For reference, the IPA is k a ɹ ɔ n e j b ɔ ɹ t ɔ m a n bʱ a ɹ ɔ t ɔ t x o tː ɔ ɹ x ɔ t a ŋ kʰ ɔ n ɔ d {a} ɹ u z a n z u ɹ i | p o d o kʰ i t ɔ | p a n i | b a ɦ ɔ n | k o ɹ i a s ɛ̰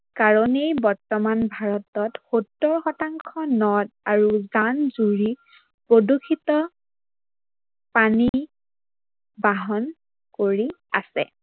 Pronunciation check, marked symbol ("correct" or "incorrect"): correct